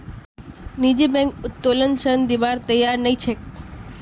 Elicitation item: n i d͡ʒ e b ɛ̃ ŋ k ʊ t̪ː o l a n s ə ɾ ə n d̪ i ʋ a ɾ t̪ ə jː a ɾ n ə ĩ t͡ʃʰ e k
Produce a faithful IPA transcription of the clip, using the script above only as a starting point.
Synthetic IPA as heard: n i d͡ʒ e b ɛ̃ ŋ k ʊ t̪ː o l ə n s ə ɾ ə n d̪ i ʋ a ɾ t̪ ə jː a ɾ n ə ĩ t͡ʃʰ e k

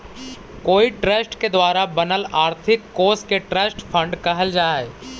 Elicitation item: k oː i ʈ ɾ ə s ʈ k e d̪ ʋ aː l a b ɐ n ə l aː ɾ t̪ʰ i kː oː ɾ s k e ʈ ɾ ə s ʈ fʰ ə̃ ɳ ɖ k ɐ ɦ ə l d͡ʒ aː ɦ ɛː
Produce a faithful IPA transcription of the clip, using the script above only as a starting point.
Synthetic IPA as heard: k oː i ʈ ɾ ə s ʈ k e d̪ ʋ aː ɾ a b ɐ n ə l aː ɾ t̪ʰ ɪ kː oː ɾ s k e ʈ ɾ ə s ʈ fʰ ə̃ ɳ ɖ k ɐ ɦ ə l d͡ʒ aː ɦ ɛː

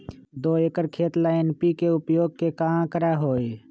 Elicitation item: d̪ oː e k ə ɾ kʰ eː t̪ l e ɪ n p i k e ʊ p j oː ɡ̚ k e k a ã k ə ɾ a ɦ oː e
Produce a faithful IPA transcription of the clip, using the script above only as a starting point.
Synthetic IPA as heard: d̪ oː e k ə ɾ kʰ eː t̪ l a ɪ n p i k e ʊ p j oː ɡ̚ k e k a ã k ə ɾ a ɦ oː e

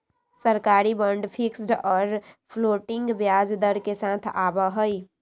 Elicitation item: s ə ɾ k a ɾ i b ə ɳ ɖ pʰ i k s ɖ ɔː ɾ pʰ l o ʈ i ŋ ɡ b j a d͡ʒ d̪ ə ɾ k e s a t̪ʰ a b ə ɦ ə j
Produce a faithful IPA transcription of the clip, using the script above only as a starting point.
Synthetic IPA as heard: s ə ɾ k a ɾ i b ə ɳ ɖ pʰ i k s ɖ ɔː ɾ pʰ l o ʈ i ŋ ɡ b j a d͡ʒ d̪ ə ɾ k e s a t̪ʰ a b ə ɦ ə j

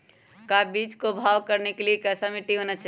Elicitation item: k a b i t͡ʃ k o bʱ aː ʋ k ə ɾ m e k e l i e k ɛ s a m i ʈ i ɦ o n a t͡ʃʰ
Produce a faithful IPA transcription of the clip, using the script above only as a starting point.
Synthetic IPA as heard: k a b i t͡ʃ k o bʱ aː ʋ k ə ɾ n e k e l i e k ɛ s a m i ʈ i ɦ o n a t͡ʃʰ

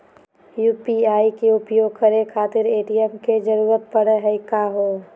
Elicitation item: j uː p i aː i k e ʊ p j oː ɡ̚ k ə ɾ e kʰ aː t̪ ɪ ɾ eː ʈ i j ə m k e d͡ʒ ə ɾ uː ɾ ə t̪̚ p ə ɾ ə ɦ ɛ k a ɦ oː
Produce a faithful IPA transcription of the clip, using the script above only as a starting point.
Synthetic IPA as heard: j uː p i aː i k e ʊ p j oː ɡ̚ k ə ɾ e kʰ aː t̪ ɪ ɾ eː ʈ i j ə m k e d͡ʒ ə ɾ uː ɾ ə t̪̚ p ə ɽ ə ɦ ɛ k a ɦ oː

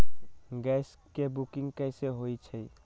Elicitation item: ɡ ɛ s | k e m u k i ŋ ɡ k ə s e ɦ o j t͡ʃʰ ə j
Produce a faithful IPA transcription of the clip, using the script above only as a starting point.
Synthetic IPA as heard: ɡ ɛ s | k e b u k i ŋ ɡ k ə s e ɦ o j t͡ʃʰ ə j

